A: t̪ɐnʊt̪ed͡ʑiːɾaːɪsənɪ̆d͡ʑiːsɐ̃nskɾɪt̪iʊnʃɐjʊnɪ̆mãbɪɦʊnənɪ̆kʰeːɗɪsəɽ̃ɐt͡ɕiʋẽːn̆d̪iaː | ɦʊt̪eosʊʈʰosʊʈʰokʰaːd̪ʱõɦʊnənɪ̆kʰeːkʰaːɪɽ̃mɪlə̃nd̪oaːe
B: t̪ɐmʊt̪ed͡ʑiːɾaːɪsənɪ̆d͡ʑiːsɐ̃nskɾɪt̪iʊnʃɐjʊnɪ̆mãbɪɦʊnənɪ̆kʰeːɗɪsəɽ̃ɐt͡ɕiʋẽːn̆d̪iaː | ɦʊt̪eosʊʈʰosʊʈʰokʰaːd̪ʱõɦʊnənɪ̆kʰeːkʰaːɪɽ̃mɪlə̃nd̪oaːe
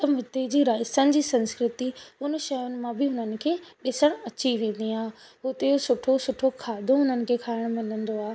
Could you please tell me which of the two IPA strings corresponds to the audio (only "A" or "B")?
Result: B